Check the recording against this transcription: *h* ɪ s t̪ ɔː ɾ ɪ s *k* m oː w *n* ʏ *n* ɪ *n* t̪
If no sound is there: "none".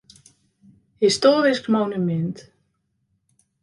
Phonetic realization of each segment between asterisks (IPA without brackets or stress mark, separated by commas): h, k, n, m, n